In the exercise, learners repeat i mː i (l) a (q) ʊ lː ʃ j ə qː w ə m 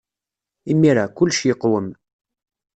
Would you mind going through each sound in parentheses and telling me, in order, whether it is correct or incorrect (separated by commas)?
incorrect, incorrect